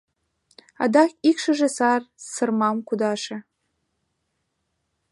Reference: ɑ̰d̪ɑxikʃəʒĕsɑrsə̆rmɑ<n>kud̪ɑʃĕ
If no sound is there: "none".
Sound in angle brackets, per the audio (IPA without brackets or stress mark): m